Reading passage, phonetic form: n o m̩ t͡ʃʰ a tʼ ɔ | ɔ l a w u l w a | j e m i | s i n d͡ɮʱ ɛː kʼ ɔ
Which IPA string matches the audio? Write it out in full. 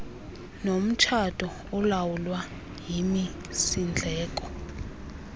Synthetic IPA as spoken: n o m̩ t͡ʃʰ a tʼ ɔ | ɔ l a w u l w a | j i m i | s i n d͡ɮʱ ɛː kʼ ɔ